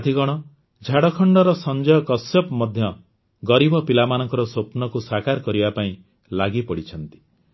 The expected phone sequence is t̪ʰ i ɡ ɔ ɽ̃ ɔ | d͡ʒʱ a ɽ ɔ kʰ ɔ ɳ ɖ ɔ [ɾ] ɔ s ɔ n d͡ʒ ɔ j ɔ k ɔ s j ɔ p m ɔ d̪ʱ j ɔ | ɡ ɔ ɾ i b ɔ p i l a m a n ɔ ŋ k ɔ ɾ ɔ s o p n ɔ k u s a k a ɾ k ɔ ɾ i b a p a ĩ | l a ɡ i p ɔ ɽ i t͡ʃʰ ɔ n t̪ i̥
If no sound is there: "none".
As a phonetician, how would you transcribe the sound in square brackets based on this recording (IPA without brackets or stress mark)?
ɾ